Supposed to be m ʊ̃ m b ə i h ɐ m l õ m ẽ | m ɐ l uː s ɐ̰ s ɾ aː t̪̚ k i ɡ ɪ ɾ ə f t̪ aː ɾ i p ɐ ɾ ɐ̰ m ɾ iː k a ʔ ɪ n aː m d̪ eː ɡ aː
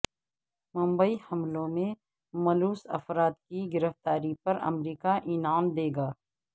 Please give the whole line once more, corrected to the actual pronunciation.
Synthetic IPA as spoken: m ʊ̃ m b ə i h ɐ m l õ m ẽ | m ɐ l uː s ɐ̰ f ɾ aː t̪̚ k i ɡ ɪ ɾ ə f t̪ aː ɾ i p ɐ ɾ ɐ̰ m ɾ iː k a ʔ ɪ n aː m d̪ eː ɡ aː